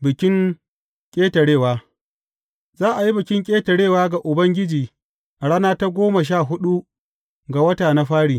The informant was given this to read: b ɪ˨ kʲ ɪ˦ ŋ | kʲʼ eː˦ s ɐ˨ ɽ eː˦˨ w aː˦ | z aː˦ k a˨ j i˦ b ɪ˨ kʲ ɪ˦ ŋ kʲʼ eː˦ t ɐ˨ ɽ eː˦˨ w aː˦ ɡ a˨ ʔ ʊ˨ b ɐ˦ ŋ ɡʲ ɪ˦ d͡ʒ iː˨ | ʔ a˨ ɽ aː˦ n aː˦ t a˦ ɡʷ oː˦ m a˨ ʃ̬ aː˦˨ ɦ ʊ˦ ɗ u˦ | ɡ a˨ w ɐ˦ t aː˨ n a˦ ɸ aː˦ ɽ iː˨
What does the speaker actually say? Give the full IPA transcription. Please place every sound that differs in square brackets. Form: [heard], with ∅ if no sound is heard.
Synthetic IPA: b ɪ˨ kʲ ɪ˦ ŋ | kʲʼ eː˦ [t] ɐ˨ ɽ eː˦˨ w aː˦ | z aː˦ [ʔ] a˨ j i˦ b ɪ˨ kʲ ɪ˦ ŋ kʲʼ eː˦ t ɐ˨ ɽ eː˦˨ w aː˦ ɡ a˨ ʔ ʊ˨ b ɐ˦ ŋ ɡʲ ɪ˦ d͡ʒ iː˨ | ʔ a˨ ɽ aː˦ n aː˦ t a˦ ɡʷ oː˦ m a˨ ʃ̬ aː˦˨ ɦ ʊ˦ ɗ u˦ | ɡ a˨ w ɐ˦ t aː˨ n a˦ ɸ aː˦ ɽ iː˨